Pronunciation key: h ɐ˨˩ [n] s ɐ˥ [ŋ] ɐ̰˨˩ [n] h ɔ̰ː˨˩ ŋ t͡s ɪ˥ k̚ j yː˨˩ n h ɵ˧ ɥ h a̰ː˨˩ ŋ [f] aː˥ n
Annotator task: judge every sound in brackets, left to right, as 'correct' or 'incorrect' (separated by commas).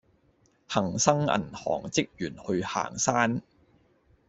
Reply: incorrect, correct, correct, incorrect